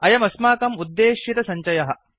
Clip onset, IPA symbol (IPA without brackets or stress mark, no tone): ɐ